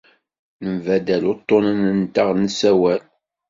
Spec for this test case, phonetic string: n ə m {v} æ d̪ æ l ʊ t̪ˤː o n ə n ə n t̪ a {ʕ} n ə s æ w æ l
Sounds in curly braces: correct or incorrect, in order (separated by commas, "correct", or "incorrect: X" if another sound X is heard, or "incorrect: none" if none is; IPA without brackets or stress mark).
correct, incorrect: ʁ